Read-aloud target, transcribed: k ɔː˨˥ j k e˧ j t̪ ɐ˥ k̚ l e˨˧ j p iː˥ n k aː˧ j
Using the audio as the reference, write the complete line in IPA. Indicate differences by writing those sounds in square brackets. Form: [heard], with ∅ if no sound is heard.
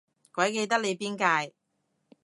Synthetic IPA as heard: k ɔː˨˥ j k e˧ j t̪ ɐ˥ k̚ l e˨˧ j p iː˥ n k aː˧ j